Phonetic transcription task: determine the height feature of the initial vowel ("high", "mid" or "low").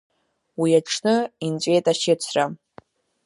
high